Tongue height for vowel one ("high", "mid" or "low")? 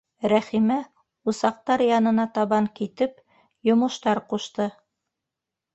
low